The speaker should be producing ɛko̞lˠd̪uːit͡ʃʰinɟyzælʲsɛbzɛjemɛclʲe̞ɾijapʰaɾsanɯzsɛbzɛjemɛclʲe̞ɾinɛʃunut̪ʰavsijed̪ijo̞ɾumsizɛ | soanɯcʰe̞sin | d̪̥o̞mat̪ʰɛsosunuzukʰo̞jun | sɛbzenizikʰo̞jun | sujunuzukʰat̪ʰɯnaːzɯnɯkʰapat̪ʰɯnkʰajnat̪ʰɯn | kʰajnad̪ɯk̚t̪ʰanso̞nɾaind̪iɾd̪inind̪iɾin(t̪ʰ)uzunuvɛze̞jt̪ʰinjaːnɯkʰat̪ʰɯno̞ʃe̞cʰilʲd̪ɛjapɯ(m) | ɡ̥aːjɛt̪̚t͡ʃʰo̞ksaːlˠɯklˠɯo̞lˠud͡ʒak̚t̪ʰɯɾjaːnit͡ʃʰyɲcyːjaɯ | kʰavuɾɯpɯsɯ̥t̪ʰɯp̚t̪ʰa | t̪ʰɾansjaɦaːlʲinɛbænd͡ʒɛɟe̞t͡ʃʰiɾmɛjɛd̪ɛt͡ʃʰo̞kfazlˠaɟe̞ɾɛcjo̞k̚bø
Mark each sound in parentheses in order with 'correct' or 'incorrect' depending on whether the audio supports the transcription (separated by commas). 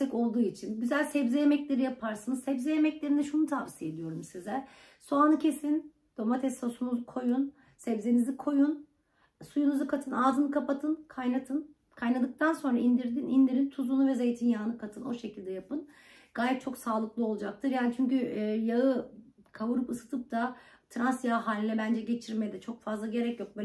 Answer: correct, incorrect